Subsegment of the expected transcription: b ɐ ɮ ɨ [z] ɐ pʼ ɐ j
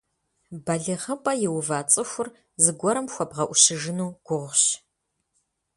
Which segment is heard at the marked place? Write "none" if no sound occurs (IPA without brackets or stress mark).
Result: ʁ